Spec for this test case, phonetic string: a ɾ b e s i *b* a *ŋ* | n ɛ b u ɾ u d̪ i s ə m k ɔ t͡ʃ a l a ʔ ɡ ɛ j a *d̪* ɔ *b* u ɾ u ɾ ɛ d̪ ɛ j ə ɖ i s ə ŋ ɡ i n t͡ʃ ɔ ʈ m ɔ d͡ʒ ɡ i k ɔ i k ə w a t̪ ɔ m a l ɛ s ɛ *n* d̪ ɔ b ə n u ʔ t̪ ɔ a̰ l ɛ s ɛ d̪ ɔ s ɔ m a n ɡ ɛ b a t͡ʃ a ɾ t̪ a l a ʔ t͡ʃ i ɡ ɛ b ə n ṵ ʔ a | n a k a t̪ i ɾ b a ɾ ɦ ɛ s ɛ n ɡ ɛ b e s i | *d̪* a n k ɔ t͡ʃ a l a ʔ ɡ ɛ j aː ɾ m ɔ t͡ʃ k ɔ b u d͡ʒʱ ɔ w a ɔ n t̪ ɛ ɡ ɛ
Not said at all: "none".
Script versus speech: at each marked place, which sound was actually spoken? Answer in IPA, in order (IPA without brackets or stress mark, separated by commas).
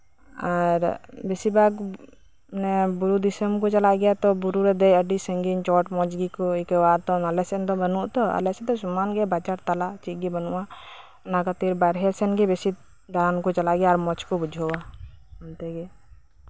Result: b, ɡ, t̪, b, n, d̪